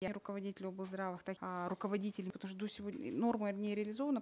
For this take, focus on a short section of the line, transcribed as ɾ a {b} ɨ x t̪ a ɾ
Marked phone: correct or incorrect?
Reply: incorrect